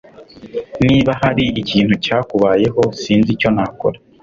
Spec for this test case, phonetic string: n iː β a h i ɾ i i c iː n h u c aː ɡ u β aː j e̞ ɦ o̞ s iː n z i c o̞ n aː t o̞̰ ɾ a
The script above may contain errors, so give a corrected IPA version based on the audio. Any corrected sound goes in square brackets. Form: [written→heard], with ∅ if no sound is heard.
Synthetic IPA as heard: n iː β a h [i→a] ɾ i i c iː n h u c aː [ɡ→k] u β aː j e̞ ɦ o̞ s iː n z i c o̞ n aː [t→k] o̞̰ ɾ a